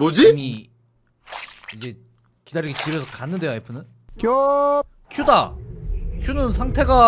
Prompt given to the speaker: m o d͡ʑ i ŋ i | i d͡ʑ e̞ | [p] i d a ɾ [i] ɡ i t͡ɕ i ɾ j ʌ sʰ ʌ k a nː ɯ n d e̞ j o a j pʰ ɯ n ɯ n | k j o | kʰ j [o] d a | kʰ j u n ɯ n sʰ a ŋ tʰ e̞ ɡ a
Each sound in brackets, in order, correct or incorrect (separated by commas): incorrect, correct, incorrect